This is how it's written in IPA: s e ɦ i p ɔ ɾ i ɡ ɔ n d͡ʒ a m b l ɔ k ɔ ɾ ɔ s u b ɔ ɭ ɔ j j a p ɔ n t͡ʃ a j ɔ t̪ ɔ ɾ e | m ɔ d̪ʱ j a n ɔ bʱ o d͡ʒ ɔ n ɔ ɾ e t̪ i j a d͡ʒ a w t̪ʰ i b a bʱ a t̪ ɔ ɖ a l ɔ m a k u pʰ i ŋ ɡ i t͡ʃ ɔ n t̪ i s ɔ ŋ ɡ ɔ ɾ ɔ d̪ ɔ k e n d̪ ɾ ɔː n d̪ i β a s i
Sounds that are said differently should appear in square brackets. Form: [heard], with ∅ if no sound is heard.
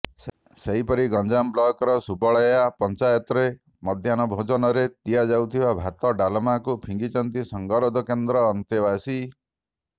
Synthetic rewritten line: s e ɦ i p ɔ ɾ i ɡ ɔ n d͡ʒ a m b l ɔ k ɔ ɾ ɔ s u b ɔ ɭ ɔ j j a p ɔ n t͡ʃ a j ɔ t̪ ɔ ɾ e | m ɔ d̪ʱ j a n ɔ bʱ o d͡ʒ ɔ n ɔ ɾ e t̪ i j a d͡ʒ a w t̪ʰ i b a bʱ a t̪ ɔ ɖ a l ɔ m a k u pʰ i ŋ ɡ i t͡ʃ ɔ n t̪ i s ɔ ŋ ɡ ɔ ɾ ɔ d̪ ɔ k e n d̪ ɾ ɔː n [t̪] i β a s i

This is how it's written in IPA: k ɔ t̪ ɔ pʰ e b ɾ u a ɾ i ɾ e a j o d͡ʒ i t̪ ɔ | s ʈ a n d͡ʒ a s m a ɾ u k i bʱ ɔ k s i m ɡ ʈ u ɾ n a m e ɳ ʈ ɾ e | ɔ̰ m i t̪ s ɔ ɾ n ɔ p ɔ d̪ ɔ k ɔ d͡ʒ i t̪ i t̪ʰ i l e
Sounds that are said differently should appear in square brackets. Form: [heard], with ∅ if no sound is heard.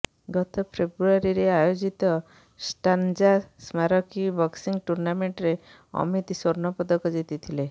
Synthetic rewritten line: [ɡ] ɔ t̪ ɔ pʰ e b ɾ u a ɾ i ɾ e a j o d͡ʒ i t̪ ɔ | s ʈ a n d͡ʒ a s m a ɾ [ɔ] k i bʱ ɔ k s i [ŋ] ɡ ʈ u ɾ n a m e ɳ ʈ ɾ e | ɔ̰ m i t̪ s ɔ ɾ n ɔ p ɔ d̪ ɔ k ɔ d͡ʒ i t̪ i t̪ʰ i l e

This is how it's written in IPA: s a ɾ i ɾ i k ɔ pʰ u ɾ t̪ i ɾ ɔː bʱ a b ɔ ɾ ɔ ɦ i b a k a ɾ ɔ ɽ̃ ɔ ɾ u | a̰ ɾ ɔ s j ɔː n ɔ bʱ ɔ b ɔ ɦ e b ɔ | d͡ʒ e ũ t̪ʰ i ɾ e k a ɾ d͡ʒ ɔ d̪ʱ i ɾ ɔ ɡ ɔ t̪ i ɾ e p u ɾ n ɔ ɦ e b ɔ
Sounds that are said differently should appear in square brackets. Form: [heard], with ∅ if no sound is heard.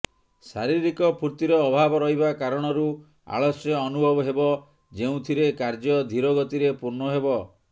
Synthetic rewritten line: s a ɾ i ɾ i k ɔ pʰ u ɾ t̪ i ɾ ɔː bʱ a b ɔ ɾ ɔ ɦ i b a k a ɾ ɔ ɽ̃ ɔ ɾ u | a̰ [ɭ] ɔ s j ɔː n [u] bʱ ɔ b ɔ ɦ e b ɔ | d͡ʒ e ũ t̪ʰ i ɾ e k a ɾ d͡ʒ ɔ d̪ʱ i ɾ ɔ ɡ ɔ t̪ i ɾ e p u ɾ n ɔ ɦ e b ɔ

